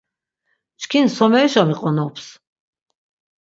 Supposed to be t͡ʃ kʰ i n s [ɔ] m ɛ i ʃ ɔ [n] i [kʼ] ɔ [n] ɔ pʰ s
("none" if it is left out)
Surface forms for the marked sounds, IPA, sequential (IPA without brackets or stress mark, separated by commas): ɔ, m, qʼ, n